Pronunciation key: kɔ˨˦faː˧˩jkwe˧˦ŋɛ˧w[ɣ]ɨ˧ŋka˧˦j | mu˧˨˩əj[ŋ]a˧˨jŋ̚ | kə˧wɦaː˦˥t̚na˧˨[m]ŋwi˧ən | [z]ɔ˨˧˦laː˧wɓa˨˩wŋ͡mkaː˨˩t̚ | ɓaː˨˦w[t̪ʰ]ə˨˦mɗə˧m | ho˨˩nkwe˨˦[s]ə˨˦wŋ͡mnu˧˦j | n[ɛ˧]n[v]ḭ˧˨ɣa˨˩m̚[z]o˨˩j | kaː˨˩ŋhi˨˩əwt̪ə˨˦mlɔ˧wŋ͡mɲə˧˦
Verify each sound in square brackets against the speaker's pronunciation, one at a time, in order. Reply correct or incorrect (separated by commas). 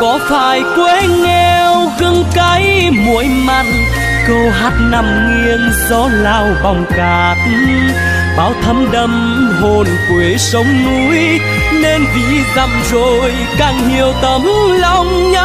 correct, incorrect, correct, correct, correct, correct, incorrect, correct, correct